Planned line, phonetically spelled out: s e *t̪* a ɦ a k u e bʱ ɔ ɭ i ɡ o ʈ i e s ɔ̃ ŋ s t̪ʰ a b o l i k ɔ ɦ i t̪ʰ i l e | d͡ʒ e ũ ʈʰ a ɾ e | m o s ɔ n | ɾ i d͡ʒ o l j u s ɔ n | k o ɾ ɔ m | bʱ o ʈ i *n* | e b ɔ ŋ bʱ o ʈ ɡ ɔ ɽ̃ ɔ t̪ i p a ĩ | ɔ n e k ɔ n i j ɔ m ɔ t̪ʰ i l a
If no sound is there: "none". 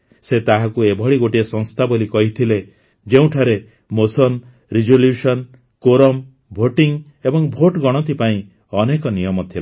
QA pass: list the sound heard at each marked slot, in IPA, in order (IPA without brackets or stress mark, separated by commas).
t̪, ŋ